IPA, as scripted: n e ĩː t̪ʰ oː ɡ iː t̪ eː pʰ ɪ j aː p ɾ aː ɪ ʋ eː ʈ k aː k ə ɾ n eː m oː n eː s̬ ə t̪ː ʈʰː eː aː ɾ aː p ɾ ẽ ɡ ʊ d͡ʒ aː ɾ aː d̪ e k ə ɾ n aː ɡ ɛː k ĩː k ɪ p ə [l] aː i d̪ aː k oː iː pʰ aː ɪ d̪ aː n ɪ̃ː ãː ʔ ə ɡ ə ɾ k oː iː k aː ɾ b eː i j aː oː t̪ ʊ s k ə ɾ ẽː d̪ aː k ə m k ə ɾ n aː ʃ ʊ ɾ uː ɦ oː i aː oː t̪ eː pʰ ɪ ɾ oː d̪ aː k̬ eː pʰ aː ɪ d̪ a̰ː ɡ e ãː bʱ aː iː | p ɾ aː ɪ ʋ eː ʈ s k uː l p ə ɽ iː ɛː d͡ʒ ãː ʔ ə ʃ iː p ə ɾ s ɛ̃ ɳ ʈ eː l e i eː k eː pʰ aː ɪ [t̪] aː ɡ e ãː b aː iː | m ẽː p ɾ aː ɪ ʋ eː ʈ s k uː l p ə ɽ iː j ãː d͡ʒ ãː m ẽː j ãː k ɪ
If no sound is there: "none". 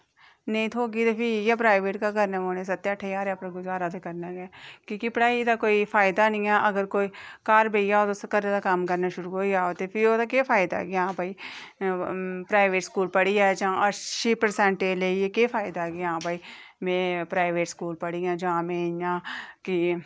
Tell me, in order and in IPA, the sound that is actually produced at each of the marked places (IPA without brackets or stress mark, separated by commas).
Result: ɽ, d̪